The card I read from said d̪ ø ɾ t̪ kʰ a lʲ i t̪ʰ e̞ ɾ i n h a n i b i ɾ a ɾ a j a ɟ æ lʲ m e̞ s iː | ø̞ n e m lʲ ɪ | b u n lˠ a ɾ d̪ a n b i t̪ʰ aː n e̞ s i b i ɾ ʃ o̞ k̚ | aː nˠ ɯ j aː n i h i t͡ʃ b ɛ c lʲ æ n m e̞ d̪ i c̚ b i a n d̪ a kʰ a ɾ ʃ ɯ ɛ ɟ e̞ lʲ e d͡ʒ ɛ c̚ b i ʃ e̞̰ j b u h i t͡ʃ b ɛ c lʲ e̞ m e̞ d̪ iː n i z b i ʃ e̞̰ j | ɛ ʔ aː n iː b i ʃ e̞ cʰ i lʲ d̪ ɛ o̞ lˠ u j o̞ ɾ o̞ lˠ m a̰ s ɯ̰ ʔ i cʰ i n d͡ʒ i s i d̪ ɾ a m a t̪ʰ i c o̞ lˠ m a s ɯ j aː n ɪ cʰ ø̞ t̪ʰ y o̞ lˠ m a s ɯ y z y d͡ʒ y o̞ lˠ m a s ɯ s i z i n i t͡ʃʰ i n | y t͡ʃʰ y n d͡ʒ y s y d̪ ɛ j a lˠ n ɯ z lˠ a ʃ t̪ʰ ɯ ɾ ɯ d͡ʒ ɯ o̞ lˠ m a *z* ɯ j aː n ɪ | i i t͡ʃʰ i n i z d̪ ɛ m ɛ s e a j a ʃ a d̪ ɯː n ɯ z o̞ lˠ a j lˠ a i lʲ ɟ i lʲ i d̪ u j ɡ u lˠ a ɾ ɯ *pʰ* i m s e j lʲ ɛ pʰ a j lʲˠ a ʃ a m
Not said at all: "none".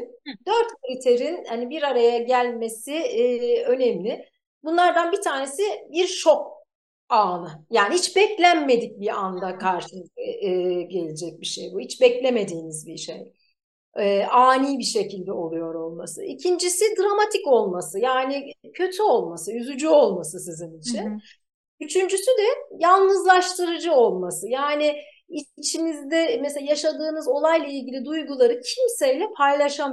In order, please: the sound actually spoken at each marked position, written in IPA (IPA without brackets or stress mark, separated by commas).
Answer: s, cʰ